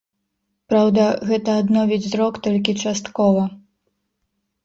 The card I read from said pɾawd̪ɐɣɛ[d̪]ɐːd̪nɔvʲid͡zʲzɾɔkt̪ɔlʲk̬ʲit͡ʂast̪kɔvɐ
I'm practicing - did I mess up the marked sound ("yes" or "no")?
yes